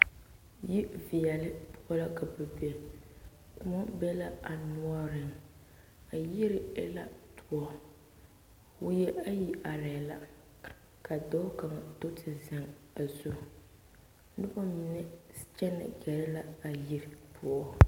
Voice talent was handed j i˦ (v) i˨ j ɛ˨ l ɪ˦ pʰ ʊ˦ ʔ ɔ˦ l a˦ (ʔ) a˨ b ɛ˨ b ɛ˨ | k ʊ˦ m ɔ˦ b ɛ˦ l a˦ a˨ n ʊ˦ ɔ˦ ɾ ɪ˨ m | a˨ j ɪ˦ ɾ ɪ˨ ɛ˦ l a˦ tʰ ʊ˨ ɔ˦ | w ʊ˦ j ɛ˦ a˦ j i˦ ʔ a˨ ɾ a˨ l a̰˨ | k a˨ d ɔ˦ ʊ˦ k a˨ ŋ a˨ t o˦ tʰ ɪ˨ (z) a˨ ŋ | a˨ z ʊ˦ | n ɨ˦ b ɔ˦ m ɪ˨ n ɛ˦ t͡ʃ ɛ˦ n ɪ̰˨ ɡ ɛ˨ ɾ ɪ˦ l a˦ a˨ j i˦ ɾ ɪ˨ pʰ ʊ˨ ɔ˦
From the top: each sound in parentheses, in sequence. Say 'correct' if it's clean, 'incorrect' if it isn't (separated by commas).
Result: correct, incorrect, correct